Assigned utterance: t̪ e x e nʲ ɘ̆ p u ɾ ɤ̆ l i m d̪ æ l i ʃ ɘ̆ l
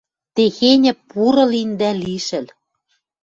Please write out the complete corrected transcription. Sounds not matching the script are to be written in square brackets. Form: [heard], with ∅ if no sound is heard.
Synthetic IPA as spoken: t̪ e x e nʲ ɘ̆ p u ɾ ɤ̆ l i [n] d̪ æ l i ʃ ɘ̆ l